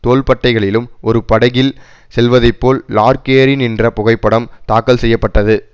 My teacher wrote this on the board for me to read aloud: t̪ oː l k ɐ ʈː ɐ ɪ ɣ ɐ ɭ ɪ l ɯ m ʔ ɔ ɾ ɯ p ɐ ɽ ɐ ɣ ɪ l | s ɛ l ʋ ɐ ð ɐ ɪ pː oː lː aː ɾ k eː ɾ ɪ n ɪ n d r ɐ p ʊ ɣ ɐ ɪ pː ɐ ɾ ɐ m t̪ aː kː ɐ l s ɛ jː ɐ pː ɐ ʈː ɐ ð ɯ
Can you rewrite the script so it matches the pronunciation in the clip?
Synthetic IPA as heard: t̪ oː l p ɐ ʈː ɐ ɪ ɣ ɐ ɭ ɪ l ɯ m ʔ ɔ ɾ ɯ p ɐ ɽ ɐ ɣ ɪ l | s ɛ l ʋ ɐ ð ɐ ɪ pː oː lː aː ɾ k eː ɾ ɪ n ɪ n d r ɐ p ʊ ɣ ɐ ɪ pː ɐ ɽ ɐ m t̪ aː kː ɐ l s ɛ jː ɐ pː ɐ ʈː ɐ ð ɯ